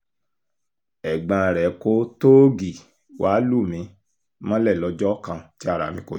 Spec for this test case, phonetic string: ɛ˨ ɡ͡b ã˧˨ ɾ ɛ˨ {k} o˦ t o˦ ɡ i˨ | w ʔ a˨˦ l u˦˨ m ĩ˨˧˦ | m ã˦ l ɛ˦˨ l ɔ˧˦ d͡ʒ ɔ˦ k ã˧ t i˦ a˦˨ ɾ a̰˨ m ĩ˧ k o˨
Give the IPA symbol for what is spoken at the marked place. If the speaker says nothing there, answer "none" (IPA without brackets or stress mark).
k